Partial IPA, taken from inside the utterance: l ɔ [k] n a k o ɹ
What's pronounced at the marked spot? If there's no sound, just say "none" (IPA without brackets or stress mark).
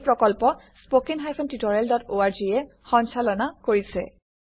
none